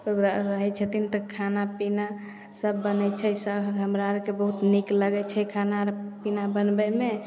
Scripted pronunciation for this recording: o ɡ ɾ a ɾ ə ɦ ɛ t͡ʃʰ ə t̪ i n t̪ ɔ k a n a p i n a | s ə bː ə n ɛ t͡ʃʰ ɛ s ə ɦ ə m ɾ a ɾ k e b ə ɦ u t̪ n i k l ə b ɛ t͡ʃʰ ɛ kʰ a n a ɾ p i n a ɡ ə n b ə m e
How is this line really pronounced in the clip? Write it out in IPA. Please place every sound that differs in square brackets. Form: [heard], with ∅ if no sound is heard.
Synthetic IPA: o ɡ ɾ a ɾ ə ɦ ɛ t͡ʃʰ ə t̪ i n t̪ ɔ [kʰ] a n a p i n a | s ə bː ə n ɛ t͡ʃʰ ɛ s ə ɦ ə m ɾ a ɾ k e b ə ɦ u t̪ n i k l ə [ɡ] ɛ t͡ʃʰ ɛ kʰ a n a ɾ p i n a [b] ə n b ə m e